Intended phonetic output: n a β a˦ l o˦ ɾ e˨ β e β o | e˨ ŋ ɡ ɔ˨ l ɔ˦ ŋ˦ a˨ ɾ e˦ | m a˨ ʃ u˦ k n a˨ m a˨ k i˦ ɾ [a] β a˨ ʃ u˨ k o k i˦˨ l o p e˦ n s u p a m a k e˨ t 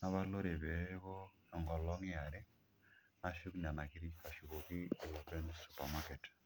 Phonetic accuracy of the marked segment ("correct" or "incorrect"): incorrect